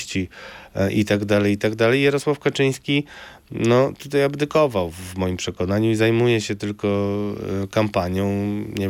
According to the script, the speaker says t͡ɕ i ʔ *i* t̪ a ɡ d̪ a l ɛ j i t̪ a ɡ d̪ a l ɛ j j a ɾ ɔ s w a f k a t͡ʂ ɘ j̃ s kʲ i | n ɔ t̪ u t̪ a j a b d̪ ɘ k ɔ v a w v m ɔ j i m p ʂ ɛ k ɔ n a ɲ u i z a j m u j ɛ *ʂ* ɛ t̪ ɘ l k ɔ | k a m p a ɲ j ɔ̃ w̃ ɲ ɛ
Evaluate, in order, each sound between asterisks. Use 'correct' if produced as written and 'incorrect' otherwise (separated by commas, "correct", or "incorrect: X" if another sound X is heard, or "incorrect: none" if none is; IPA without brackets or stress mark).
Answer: correct, incorrect: ɕ